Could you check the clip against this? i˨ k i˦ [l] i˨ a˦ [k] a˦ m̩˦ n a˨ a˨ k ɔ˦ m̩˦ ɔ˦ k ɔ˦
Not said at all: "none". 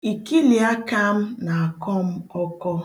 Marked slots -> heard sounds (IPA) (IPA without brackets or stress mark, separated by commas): l, k